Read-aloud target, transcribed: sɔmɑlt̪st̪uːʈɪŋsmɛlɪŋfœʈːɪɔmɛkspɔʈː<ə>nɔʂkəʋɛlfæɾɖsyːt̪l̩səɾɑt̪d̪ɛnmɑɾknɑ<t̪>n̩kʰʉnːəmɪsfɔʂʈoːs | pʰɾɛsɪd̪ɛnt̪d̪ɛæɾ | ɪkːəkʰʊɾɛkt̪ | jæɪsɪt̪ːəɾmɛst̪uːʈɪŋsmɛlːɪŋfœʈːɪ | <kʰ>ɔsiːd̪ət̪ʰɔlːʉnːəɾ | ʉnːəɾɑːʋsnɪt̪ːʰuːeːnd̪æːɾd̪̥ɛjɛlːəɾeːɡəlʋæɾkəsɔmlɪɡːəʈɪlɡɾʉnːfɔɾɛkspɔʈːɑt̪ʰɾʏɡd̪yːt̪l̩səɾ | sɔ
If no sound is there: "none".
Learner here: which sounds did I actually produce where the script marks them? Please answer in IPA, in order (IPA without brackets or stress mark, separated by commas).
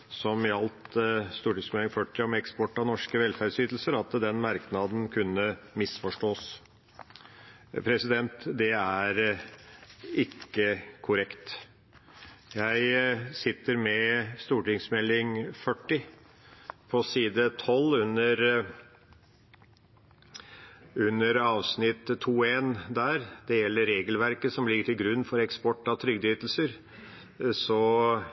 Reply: ɑ, d̪, pʰ